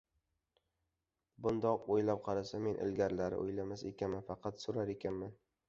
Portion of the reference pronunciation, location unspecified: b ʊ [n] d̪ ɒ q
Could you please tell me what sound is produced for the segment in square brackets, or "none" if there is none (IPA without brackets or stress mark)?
n